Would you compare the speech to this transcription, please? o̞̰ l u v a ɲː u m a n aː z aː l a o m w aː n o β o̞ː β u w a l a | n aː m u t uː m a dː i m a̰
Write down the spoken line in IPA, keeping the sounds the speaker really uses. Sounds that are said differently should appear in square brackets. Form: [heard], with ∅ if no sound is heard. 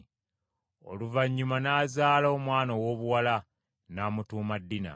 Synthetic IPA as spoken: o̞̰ l u v a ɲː u m a n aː z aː l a o m w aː n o [w] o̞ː β u w a l a | n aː m u t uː m a dː i [n] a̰